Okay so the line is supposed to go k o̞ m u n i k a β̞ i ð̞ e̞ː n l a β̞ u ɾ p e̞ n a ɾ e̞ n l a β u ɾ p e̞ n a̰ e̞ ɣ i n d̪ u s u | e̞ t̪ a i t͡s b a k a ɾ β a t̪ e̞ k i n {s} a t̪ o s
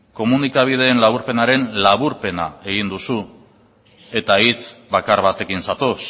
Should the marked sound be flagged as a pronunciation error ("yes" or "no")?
no